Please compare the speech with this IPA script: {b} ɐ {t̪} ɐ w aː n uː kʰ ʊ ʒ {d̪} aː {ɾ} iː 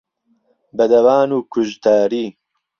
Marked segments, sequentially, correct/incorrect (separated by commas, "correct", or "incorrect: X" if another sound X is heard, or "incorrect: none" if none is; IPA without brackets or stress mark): correct, incorrect: d̪, incorrect: t̪, correct